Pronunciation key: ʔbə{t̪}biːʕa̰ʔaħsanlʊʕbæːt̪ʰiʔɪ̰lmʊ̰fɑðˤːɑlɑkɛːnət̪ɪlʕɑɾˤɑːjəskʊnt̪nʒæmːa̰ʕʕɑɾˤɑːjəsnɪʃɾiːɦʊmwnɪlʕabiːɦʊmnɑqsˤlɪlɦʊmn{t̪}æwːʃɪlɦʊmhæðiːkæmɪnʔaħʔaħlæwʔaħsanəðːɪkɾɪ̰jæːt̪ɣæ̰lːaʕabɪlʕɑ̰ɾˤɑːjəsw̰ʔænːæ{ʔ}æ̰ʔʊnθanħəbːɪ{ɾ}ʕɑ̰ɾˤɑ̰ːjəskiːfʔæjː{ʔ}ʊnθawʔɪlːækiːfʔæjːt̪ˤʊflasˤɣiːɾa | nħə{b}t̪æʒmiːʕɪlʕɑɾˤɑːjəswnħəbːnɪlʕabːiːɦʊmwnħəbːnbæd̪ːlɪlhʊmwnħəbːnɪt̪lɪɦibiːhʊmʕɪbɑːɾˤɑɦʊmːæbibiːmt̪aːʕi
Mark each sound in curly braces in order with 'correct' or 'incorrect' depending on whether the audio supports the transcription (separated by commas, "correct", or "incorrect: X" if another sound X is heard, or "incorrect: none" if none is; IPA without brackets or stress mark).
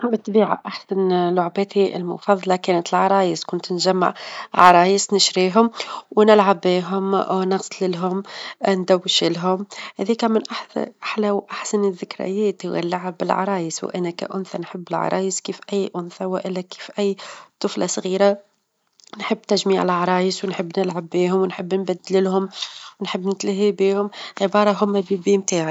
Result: correct, incorrect: d̪, incorrect: k, incorrect: l, correct, incorrect: bː